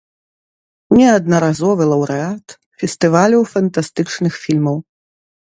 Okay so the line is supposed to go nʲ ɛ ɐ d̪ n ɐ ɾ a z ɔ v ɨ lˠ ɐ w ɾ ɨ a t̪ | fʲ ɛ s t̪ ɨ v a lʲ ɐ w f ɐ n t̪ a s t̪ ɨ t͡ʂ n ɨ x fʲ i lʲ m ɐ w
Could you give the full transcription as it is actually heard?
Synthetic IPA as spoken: nʲ ɛ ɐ d̪ n ɐ ɾ a z ɔ v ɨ lˠ ɐ w ɾ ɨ a t̪ | fʲ ɛ s t̪ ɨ v a lʲ ɐ w f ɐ n t̪ a s t̪ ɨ t͡ʂ n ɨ x fʲ i lʲ m ɐ w